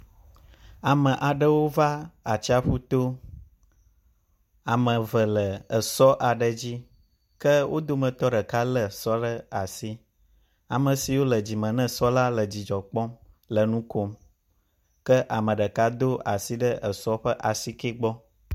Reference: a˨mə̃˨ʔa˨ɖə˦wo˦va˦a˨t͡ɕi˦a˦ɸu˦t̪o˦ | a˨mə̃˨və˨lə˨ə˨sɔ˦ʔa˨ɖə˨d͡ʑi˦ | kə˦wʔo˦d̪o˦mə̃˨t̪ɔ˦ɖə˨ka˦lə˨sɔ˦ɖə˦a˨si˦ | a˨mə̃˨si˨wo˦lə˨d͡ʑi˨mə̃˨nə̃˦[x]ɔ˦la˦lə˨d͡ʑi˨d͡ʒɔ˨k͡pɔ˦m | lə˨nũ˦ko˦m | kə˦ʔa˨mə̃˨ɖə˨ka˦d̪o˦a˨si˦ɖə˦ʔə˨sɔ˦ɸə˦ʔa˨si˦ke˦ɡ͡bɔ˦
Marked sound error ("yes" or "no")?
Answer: yes